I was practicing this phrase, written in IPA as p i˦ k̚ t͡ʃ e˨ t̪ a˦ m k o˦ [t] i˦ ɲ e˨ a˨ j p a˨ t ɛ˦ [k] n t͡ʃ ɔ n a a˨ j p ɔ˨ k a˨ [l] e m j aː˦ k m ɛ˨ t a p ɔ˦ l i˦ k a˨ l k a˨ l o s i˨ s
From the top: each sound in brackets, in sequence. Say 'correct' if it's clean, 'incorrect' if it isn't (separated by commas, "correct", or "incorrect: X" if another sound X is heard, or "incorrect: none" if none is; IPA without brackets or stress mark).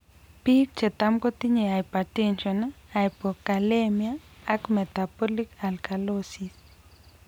correct, incorrect: none, correct